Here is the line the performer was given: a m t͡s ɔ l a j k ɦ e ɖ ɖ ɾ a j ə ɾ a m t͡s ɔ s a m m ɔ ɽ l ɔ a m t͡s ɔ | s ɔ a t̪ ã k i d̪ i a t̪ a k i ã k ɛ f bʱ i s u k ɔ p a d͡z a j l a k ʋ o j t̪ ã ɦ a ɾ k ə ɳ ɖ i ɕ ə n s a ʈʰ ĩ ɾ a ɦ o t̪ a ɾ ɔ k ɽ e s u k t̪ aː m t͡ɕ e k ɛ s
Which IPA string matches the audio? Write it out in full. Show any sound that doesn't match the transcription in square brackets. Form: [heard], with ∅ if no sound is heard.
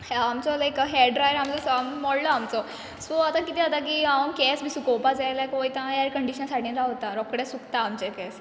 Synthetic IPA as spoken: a m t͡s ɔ l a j k ɦ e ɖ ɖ ɾ a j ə ɾ a m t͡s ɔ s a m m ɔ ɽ l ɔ a m t͡s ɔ | s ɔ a t̪ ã k i [t̪] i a t̪ a k i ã k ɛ [s] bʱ i s u k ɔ p a d͡z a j l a k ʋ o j t̪ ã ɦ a ɾ k ə ɳ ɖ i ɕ ə n s a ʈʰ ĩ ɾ a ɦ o t̪ a ɾ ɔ k ɽ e s u k t̪ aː m t͡ɕ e k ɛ s